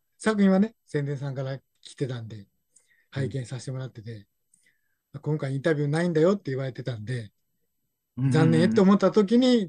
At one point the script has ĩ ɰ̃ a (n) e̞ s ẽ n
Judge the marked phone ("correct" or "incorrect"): correct